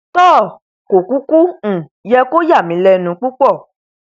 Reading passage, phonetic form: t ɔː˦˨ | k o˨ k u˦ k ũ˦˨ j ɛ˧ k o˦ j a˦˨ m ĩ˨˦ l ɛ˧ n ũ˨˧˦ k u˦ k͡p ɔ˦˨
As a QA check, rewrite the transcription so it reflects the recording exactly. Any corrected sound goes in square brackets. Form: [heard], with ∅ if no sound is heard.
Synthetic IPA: t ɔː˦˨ | k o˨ k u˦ k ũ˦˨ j ɛ˧ k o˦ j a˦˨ m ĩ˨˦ l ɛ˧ n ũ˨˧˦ [k͡p] u˦ k͡p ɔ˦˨